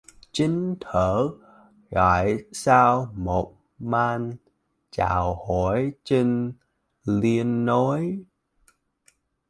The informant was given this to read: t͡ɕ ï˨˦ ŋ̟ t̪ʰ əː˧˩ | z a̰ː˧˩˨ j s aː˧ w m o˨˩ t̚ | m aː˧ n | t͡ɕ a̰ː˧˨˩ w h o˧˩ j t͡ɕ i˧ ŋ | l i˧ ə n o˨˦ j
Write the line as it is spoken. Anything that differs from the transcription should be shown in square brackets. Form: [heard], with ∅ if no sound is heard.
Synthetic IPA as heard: t͡ɕ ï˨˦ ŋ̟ t̪ʰ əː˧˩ | [ɣ] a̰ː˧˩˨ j s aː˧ w m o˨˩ t̚ | m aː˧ n | t͡ɕ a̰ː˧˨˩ w h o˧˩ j t͡ɕ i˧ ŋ | l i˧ ə [nː] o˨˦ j